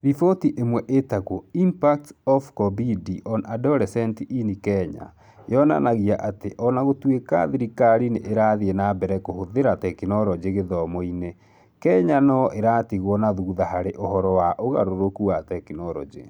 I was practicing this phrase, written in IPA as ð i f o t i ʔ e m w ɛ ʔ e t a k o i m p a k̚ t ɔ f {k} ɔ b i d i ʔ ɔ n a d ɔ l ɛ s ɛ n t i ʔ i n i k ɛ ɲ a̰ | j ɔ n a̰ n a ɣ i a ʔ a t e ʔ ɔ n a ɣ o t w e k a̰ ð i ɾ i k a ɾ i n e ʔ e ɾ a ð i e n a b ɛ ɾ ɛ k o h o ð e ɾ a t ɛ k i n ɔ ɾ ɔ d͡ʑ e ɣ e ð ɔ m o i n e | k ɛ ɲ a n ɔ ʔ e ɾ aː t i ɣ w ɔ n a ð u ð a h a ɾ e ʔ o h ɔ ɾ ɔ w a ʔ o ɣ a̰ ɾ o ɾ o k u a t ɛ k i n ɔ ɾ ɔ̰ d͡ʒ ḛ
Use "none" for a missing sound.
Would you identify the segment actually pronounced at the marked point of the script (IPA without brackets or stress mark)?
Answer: k